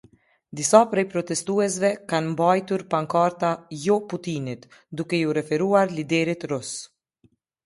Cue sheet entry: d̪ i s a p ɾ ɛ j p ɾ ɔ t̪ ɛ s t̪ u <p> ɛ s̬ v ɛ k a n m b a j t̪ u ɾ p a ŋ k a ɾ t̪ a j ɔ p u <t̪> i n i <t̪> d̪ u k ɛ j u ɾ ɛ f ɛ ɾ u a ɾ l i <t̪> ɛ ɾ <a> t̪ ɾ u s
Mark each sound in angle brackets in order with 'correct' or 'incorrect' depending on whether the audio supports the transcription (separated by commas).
incorrect, correct, correct, incorrect, incorrect